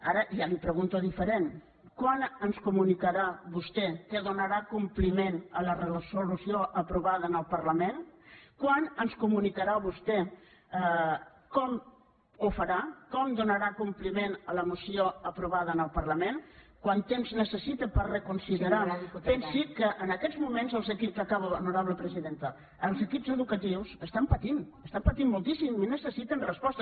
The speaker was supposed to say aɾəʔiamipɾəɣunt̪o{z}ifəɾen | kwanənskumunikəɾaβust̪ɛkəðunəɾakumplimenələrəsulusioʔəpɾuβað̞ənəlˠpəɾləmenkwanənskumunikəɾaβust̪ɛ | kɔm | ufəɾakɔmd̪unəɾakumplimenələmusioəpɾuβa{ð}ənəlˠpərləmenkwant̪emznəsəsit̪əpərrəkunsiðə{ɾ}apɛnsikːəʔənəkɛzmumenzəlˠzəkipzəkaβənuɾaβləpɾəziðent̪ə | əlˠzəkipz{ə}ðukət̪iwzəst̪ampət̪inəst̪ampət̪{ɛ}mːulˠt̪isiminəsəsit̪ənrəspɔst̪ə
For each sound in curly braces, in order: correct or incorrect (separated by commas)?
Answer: incorrect, correct, correct, correct, incorrect